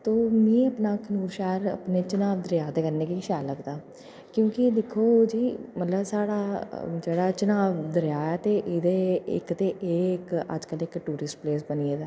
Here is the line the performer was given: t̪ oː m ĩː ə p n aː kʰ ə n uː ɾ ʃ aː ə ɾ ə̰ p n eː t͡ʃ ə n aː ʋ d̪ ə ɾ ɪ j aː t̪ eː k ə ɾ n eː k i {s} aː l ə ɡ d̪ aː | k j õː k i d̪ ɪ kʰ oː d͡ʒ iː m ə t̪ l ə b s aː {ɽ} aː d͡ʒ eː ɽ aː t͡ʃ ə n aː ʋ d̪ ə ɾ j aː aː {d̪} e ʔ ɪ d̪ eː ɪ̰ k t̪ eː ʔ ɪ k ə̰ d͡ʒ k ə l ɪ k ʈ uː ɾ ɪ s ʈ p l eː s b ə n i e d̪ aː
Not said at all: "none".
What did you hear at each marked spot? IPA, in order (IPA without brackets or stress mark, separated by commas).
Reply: ʃ, ɽ, t̪